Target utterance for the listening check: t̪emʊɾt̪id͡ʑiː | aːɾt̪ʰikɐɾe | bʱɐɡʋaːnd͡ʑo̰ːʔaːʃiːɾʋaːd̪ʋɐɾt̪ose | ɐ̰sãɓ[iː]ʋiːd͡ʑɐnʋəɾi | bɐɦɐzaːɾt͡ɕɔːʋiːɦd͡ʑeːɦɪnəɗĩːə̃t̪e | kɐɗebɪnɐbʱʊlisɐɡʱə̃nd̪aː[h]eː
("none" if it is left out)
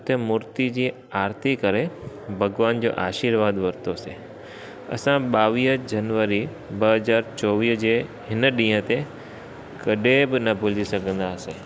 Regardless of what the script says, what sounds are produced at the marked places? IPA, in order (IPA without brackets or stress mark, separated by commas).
aː, s